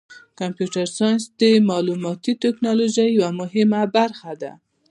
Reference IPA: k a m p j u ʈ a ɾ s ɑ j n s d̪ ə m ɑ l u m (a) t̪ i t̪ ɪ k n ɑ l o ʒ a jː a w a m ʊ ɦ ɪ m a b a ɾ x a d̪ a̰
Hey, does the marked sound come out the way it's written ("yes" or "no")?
no